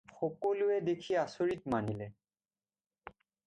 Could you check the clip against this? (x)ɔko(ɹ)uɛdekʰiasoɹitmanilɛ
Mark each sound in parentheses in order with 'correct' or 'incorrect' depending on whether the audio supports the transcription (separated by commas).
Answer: correct, incorrect